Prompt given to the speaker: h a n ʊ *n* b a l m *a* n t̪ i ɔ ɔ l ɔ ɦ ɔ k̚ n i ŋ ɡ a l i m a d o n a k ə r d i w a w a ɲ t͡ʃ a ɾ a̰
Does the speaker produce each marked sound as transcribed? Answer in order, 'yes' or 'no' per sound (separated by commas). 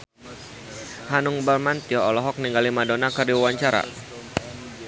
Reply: no, yes